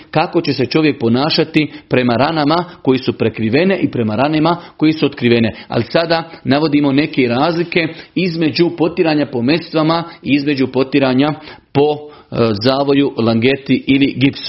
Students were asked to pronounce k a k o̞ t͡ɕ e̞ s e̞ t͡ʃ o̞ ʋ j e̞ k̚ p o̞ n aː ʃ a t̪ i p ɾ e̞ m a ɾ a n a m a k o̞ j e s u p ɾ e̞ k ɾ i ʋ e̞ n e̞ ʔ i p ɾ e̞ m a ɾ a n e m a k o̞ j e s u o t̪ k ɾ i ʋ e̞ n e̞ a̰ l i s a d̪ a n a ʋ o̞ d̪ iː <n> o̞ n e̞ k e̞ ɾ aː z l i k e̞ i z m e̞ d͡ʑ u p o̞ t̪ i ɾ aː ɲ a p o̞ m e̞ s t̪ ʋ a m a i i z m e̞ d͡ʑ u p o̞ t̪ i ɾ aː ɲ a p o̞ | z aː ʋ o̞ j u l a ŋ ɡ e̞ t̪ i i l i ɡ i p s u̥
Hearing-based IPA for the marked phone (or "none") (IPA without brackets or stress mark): m